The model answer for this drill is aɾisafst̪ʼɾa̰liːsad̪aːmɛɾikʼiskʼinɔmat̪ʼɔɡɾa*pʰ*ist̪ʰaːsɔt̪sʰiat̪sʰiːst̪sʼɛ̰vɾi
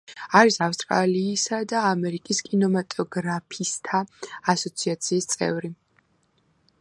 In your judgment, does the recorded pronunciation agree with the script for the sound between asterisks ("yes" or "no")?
yes